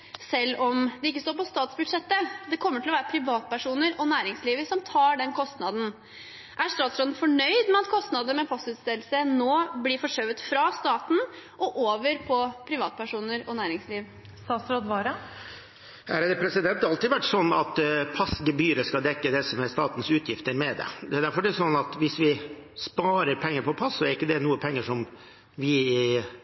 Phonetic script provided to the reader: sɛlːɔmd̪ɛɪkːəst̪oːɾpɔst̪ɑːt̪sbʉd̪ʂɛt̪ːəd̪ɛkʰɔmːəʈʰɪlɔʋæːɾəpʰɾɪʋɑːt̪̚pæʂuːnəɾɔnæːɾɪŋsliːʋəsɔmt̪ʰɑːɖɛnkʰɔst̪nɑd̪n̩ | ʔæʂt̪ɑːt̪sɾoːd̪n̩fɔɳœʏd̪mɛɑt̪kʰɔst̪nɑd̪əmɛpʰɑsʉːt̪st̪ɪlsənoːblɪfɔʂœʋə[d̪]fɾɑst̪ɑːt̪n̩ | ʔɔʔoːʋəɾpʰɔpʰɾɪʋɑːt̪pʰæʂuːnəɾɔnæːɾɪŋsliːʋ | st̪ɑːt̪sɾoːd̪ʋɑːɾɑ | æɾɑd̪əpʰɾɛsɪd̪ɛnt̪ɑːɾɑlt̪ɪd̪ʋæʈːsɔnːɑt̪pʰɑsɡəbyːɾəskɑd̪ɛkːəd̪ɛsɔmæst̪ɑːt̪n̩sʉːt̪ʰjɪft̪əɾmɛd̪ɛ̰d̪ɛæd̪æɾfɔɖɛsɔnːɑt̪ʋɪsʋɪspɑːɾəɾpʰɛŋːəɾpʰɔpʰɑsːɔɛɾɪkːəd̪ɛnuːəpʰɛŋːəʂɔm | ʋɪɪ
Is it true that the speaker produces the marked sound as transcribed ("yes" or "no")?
no